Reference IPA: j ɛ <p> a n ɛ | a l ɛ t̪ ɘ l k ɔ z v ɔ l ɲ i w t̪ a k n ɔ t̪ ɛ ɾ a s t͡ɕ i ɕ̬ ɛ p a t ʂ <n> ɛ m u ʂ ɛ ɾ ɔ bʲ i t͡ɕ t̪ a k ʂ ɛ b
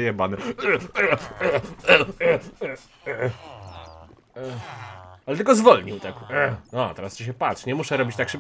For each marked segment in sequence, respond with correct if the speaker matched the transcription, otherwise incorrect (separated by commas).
incorrect, incorrect